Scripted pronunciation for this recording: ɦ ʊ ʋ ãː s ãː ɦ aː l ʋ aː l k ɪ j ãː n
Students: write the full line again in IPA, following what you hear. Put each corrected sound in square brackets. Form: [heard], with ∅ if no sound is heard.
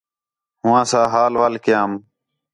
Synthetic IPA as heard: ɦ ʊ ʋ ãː s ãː ɦ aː l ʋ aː l k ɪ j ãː [m]

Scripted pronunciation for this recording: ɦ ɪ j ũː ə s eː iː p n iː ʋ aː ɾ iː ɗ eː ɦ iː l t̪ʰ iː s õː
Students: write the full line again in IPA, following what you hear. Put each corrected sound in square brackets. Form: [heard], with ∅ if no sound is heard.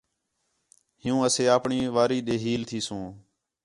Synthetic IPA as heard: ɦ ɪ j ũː ə s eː [aː] p [ɳ] iː ʋ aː ɾ iː ɗ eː ɦ iː l t̪ʰ iː s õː

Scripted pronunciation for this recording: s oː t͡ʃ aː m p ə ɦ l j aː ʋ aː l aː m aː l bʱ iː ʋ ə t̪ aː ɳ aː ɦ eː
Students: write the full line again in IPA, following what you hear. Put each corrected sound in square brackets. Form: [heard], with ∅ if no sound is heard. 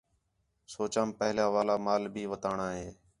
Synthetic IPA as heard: s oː t͡ʃ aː m p ə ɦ l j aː ʋ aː l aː m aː l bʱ iː ʋ ə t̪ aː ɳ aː ɦ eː

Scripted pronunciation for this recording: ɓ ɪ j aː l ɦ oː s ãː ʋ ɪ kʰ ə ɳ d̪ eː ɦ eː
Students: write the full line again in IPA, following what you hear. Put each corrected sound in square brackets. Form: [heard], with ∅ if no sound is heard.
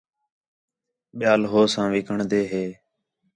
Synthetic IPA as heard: ɓ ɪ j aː l ɦ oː s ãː ʋ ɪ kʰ ə ɳ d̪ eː ɦ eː

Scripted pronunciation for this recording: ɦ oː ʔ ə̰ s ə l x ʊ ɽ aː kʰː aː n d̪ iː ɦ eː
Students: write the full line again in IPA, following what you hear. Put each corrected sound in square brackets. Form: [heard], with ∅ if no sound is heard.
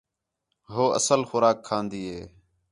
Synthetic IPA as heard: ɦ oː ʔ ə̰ s ə l x ʊ [ɾ] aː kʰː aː n d̪ iː ɦ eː

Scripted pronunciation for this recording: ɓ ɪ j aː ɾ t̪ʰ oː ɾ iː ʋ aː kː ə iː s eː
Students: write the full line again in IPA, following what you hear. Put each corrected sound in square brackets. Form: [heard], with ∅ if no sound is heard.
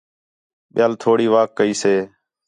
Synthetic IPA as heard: ɓ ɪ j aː [l] t̪ʰ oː [ɽ] iː ʋ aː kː ə iː s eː

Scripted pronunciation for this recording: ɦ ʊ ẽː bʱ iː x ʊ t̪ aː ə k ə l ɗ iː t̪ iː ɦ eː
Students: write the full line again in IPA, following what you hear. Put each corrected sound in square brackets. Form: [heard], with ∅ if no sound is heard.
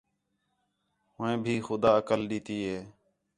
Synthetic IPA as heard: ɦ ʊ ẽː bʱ iː x ʊ [d̪] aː ə k ə l ɗ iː t̪ iː ɦ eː

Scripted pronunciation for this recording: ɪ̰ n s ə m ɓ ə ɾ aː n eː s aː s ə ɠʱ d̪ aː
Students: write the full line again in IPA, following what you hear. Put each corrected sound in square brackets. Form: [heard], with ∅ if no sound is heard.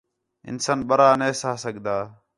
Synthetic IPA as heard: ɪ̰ n s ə [n] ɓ ə ɾ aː n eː s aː s ə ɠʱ d̪ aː

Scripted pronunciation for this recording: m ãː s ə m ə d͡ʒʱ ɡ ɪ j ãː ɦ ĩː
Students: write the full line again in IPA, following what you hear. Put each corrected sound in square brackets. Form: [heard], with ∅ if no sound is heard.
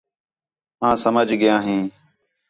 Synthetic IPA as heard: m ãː s ə m ə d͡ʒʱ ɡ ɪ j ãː ɦ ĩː

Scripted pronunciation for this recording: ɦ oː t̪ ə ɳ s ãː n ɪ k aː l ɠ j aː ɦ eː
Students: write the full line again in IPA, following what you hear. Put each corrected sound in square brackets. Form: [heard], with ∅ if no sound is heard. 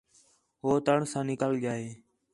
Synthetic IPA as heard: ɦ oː t̪ ə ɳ s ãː n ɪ k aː l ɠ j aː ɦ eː

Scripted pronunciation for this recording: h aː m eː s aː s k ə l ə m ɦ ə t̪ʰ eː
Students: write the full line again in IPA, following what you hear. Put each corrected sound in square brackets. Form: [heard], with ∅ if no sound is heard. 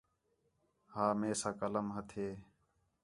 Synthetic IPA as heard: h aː m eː s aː [∅] k ə l ə m ɦ ə t̪ʰ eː

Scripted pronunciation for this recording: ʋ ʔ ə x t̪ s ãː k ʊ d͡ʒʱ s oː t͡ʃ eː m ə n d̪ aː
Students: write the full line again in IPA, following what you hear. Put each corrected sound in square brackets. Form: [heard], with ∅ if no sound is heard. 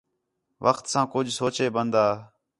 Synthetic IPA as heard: ʋ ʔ ə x t̪ s ãː k ʊ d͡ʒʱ s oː t͡ʃ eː [b] ə n d̪ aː

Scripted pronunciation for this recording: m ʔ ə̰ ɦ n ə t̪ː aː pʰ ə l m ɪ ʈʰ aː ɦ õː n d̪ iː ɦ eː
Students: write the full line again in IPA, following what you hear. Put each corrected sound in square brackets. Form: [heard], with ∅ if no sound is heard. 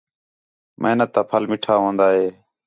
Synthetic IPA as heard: m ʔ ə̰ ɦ n ə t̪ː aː pʰ ə l m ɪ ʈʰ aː ɦ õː n d̪ [aː] ɦ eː

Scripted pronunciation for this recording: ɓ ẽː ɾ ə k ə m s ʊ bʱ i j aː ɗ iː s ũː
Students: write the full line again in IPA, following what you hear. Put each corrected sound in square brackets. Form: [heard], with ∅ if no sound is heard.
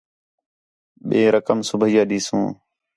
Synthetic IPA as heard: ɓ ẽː ɾ ə k ə m s ʊ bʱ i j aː ɗ iː s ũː

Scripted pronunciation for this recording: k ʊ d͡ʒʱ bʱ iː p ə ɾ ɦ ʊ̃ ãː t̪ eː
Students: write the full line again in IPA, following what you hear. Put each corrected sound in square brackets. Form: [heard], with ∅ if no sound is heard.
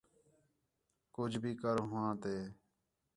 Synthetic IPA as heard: k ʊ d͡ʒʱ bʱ iː [k] ə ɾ ɦ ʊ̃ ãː t̪ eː

